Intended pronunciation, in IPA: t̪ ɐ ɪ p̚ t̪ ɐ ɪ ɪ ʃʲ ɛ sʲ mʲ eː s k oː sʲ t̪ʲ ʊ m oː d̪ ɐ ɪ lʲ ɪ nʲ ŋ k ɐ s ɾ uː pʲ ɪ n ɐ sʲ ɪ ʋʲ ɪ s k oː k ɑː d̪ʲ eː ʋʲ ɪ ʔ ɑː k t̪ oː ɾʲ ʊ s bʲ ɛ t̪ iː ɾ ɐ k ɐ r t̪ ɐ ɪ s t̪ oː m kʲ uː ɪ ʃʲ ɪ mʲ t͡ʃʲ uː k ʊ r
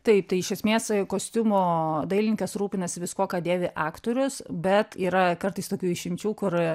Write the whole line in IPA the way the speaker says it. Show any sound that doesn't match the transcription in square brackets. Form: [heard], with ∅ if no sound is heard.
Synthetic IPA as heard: t̪ ɐ ɪ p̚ t̪ ɐ ɪ ɪ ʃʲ ɛ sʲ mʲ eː s k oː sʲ t̪ʲ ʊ m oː d̪ ɐ ɪ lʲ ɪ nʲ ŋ k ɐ s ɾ uː pʲ ɪ n ɐ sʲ ɪ ʋʲ ɪ s k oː k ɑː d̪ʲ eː ʋʲ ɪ ʔ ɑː k t̪ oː ɾʲ ʊ s bʲ ɛ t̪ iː ɾ ɐ k ɐ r t̪ ɐ ɪ s t̪ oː [∅] kʲ uː ɪ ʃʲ ɪ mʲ t͡ʃʲ uː k ʊ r